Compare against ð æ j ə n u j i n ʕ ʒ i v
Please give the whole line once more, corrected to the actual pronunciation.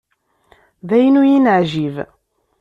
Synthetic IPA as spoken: ð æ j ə n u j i n ʕ ʒ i v